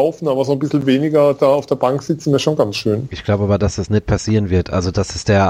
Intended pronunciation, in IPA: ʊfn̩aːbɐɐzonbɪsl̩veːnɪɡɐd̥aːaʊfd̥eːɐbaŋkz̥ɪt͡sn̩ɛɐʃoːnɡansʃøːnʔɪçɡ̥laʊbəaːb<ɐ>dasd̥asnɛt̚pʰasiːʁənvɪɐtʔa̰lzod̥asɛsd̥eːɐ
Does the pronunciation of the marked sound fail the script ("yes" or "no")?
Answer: no